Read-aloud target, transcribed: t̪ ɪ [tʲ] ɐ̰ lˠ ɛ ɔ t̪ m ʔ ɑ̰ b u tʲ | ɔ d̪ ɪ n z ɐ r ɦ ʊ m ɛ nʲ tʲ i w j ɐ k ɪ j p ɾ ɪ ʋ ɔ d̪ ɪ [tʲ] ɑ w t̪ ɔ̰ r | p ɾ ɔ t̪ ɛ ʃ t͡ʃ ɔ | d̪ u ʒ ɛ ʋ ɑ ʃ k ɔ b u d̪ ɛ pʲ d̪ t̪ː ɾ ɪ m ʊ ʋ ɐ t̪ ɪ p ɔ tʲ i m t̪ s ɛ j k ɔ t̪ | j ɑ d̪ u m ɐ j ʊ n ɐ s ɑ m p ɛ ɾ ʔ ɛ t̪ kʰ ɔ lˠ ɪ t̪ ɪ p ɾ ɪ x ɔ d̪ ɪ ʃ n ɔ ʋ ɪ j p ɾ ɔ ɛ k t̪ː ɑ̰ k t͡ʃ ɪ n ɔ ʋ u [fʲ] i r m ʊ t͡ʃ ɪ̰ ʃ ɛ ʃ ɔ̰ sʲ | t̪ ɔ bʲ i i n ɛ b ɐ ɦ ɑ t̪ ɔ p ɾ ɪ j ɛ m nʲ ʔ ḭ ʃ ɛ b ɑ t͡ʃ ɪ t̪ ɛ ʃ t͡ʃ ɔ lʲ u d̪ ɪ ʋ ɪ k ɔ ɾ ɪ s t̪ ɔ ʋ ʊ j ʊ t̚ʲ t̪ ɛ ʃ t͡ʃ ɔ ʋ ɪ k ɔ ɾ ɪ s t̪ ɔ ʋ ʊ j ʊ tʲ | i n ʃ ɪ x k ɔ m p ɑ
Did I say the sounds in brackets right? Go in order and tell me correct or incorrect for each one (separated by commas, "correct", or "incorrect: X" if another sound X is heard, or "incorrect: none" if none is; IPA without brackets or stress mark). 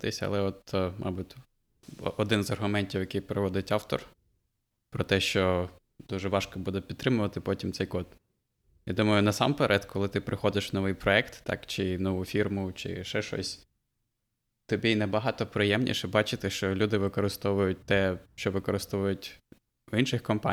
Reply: incorrect: sʲ, correct, correct